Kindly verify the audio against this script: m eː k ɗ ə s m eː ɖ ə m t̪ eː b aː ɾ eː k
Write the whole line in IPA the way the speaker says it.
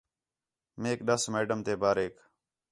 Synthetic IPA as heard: m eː k ɗ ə s m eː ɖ ə m t̪ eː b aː ɾ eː k